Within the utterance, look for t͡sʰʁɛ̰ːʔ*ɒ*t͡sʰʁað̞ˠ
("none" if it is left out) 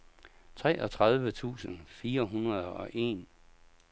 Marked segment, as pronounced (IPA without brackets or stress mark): ɒ